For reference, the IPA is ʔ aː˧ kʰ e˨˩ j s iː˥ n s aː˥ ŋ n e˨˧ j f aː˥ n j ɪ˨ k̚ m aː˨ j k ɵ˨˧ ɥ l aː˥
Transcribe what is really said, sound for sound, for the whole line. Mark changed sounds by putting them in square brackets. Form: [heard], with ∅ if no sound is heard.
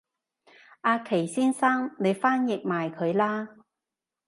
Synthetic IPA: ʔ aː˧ kʰ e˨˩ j s iː˥ n s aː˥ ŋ n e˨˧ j f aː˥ n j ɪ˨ k̚ m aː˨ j [kʰ] ɵ˨˧ ɥ l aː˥